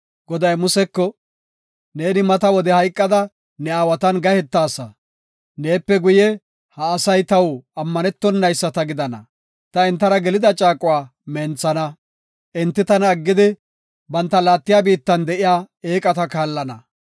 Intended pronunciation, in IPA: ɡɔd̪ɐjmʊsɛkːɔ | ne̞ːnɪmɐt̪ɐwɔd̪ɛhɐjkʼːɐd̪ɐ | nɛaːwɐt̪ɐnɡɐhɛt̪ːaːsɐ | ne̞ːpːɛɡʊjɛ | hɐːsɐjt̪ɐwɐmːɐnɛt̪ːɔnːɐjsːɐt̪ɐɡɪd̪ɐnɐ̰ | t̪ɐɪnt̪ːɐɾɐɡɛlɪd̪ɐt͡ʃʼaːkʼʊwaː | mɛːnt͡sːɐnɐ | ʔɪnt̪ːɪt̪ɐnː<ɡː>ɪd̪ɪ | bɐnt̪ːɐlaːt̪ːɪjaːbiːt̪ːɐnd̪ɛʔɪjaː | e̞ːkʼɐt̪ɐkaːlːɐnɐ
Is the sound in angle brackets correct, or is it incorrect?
correct